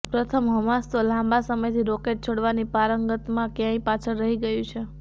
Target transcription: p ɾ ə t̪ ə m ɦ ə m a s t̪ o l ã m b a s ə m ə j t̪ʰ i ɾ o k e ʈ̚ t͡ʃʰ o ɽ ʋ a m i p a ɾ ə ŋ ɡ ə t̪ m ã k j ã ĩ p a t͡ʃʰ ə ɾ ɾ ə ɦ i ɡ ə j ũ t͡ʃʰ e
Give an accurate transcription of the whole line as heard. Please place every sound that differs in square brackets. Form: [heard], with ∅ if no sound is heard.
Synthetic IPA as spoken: p ɾ ə [t̪ʰ] ə m ɦ ə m a s t̪ o l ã m b a s ə m ə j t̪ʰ i ɾ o k e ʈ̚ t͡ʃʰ o ɽ ʋ a [n] i p a ɾ ə ŋ ɡ ə t̪ m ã k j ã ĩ p a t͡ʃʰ ə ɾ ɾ ə ɦ i ɡ ə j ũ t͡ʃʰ e